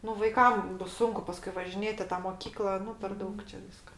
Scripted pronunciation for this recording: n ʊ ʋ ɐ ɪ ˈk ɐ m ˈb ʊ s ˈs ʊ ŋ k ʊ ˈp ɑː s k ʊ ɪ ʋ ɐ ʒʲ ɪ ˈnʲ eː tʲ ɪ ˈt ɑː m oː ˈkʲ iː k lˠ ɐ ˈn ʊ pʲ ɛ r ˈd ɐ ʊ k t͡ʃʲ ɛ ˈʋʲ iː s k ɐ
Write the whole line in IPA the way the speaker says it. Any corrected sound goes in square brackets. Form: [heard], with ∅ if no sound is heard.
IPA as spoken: n ʊ ʋ ɐ ɪ ˈk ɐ m ˈb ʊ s ˈs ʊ ŋ k ʊ ˈp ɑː s k ʊ ɪ ʋ ɐ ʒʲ ɪ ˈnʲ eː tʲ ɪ ˈt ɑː m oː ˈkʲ iː k lˠ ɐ ˈn ʊ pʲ ɛ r ˈd ɐ ʊ k t͡ʃʲ ɛ ˈʋʲ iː s k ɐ